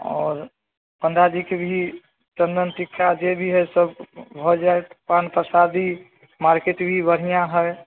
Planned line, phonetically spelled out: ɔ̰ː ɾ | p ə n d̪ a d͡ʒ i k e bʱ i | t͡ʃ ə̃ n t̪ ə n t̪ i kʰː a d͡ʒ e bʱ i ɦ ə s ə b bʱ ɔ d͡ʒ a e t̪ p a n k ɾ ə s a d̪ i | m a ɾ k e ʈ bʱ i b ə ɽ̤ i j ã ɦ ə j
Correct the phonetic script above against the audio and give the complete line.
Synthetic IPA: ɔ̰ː ɾ | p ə n d̪ a d͡ʒ i k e bʱ i | t͡ʃ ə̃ n d̪ ə n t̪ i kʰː a d͡ʒ e bʱ i ɦ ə s ə b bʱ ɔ d͡ʒ a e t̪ p a n p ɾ ə s a d̪ i | m a ɾ k e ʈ bʱ i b ə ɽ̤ i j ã ɦ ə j